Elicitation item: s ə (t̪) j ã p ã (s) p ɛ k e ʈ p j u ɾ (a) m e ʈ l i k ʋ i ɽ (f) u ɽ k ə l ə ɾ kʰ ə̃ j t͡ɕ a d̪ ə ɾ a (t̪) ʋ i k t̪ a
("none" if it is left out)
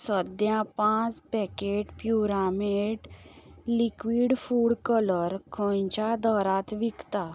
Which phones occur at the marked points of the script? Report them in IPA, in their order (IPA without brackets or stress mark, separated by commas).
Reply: d̪, t͡s, a, f, t̪